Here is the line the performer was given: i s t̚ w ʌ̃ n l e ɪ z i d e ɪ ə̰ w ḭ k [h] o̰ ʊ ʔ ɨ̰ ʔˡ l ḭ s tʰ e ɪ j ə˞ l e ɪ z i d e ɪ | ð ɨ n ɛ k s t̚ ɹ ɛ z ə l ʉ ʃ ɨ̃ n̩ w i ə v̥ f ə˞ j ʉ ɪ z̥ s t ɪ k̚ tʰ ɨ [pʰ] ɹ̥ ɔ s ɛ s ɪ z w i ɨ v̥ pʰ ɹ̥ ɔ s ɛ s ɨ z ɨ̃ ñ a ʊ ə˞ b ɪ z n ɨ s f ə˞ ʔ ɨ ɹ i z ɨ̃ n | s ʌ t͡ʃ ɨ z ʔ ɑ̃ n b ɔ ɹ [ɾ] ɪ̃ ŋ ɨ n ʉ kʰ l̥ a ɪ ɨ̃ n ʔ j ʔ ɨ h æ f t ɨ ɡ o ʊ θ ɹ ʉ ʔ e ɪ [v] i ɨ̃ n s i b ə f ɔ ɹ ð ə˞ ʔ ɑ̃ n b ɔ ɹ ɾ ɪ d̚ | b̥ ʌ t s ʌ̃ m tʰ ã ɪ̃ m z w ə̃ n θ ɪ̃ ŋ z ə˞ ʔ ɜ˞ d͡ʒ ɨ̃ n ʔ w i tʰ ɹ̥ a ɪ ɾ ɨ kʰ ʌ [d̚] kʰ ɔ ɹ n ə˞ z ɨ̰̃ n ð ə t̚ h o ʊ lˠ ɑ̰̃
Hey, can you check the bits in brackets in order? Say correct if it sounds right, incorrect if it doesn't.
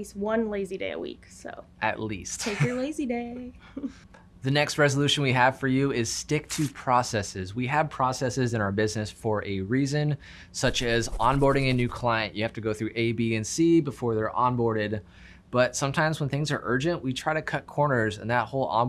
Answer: incorrect: s, correct, correct, incorrect: b, incorrect: t̚

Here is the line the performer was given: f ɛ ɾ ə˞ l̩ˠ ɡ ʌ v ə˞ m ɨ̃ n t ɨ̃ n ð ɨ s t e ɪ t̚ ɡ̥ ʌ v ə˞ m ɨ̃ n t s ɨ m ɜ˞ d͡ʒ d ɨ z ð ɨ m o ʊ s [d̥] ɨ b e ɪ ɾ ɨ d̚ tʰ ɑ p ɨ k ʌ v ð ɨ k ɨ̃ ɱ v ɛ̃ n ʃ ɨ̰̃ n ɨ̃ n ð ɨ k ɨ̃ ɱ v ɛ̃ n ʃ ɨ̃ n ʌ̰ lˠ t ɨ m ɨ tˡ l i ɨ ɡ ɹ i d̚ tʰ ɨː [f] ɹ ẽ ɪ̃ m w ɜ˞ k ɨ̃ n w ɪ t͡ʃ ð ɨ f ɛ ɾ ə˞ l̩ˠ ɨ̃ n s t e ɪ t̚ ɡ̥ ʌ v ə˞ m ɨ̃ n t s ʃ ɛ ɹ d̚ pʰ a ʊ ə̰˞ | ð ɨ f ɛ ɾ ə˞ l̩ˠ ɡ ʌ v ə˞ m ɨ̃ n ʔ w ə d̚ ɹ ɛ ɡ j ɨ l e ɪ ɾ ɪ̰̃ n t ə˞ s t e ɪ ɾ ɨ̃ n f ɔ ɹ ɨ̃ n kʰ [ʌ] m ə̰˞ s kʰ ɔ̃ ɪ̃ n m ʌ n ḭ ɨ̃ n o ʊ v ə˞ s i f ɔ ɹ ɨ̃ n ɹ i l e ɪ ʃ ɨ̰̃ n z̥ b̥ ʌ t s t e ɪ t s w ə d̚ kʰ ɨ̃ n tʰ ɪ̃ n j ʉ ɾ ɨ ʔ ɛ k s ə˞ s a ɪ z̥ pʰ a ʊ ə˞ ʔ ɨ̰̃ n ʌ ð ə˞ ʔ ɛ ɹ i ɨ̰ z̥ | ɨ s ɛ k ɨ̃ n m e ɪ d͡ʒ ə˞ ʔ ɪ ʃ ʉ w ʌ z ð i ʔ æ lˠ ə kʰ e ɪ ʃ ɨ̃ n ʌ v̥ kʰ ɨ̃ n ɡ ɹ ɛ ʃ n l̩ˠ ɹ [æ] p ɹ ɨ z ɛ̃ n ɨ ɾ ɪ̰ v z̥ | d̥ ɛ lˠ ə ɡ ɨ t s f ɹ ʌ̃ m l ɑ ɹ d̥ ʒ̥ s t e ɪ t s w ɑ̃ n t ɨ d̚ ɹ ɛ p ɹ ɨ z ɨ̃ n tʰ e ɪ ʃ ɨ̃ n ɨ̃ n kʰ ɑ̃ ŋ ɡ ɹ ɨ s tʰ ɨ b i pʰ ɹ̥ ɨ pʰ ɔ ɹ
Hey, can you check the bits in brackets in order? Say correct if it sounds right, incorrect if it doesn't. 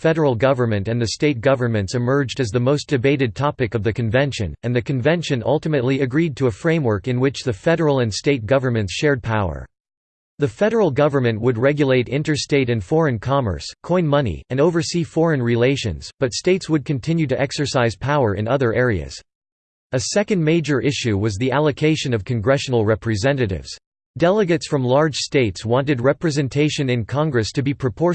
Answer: correct, correct, incorrect: ɑ, incorrect: ɛ

